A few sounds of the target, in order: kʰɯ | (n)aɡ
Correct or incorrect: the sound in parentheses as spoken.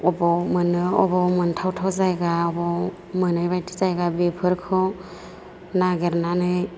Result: correct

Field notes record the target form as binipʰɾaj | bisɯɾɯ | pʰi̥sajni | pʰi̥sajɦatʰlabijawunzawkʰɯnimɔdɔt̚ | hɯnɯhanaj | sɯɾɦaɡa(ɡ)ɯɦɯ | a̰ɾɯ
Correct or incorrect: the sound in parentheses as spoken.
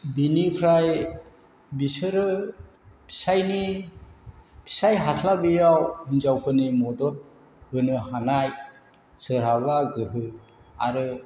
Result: correct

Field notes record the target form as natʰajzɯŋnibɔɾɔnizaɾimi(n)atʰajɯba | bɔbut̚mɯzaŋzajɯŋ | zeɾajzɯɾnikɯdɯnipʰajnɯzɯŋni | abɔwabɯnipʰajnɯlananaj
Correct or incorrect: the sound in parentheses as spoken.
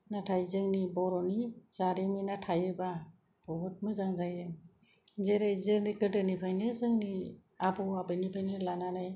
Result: correct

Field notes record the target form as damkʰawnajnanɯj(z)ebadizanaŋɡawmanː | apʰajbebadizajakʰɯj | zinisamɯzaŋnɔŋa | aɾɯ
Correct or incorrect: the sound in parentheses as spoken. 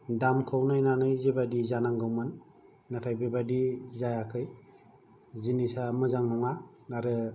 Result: correct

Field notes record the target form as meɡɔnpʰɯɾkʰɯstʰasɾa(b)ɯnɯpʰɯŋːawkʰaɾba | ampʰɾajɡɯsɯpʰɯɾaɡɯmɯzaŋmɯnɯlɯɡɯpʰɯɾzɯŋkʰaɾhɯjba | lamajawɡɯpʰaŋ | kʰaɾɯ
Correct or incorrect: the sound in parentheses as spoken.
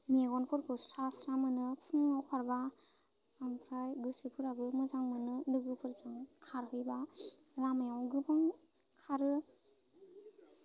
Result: incorrect: m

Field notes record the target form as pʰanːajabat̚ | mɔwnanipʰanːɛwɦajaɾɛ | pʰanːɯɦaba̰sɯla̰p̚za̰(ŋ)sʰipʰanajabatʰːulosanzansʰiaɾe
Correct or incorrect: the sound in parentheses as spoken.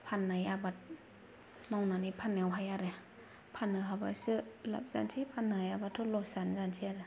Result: incorrect: n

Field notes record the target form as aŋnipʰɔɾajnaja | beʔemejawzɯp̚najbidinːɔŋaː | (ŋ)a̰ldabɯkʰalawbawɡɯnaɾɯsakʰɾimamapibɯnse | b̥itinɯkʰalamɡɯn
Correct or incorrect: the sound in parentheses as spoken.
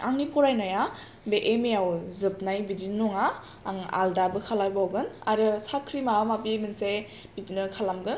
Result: correct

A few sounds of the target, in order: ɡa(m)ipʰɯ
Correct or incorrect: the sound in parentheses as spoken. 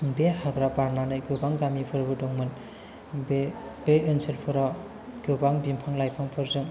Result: correct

